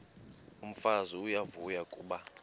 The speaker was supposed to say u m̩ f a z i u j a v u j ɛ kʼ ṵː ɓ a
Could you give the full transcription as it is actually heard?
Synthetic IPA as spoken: u m̩ f a z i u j a v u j a kʼ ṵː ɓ a